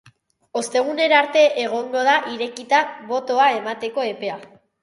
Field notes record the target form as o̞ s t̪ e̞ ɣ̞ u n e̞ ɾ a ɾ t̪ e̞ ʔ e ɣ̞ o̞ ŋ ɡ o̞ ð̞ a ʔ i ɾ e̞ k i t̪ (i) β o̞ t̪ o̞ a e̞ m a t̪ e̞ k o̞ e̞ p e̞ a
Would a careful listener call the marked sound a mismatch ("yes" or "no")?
yes